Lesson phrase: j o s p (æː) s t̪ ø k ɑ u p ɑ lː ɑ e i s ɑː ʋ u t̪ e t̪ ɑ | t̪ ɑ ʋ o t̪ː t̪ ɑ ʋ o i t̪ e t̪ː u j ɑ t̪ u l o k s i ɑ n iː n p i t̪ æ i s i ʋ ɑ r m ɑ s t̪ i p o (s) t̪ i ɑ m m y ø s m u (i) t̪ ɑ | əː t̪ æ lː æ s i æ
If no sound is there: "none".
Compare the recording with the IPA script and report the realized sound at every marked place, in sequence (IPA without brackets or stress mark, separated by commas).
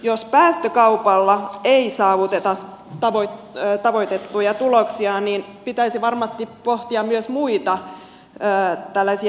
æː, h, i